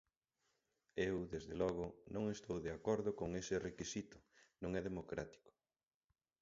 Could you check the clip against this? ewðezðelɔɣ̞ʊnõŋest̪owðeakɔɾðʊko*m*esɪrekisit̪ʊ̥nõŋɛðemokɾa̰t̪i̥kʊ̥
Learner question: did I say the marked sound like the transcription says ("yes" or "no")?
no